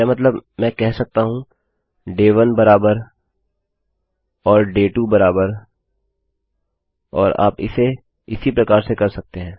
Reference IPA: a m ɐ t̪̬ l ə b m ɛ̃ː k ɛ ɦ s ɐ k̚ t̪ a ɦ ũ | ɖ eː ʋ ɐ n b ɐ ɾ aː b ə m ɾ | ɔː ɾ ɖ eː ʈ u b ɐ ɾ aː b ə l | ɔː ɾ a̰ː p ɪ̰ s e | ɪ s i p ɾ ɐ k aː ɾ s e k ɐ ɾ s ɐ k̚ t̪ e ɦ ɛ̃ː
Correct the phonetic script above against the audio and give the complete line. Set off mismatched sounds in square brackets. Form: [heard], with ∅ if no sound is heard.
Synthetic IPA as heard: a m ɐ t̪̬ l ə b m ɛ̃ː k ɛ ɦ s ɐ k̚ t̪ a ɦ ũ | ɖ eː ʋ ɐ n b ɐ ɾ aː b ə [∅] ɾ | ɔː ɾ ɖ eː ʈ u b ɐ ɾ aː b ə [ɾ] | ɔː ɾ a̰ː p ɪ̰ s e | ɪ s i p ɾ ɐ k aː ɾ s e k ɐ ɾ s ɐ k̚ t̪ e ɦ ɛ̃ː